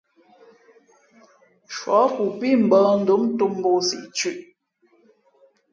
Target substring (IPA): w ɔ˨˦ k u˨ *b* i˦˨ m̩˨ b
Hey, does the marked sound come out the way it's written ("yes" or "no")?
no